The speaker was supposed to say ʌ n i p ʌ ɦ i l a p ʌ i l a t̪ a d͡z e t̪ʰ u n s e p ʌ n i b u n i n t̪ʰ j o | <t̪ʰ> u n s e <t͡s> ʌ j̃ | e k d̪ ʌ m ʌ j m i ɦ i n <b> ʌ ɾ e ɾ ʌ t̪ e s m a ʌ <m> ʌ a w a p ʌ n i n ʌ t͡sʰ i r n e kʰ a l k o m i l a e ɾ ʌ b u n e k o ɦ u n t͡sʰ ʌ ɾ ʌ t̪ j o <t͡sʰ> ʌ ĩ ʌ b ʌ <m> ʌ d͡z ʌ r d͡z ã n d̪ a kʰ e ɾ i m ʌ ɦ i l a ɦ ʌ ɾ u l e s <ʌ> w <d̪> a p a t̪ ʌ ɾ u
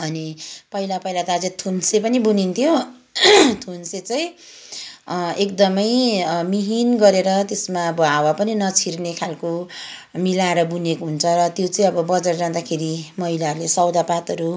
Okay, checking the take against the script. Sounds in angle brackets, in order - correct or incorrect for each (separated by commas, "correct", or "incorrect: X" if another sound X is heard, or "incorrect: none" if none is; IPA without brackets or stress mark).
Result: correct, correct, incorrect: ɡ, incorrect: b, incorrect: t͡s, incorrect: b, correct, correct